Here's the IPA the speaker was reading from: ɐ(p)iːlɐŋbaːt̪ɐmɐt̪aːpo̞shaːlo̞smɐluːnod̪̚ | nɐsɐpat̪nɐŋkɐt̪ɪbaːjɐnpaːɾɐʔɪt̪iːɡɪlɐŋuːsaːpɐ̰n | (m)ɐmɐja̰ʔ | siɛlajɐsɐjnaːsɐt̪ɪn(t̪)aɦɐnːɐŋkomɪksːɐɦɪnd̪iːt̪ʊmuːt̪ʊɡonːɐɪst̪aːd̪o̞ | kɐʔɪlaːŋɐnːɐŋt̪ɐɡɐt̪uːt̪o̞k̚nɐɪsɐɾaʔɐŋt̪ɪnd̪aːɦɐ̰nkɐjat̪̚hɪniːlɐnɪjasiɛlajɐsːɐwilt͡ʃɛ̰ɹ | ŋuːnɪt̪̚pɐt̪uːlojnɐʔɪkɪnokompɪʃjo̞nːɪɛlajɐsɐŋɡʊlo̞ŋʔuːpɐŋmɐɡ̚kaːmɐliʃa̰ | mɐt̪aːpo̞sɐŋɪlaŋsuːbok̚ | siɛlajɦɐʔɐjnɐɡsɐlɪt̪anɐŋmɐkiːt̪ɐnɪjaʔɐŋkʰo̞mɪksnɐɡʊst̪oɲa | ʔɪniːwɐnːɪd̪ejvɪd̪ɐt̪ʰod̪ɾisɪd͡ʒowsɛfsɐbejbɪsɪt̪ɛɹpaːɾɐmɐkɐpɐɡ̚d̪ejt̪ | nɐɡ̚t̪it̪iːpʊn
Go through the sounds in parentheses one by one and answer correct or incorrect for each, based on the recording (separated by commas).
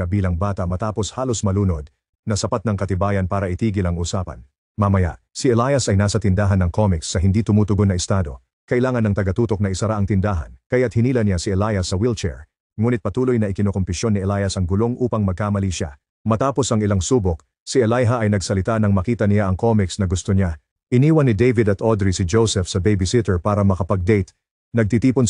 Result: incorrect, correct, incorrect